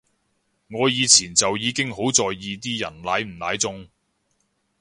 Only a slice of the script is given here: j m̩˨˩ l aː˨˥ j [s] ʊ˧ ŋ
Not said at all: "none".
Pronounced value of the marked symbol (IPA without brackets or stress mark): t͡s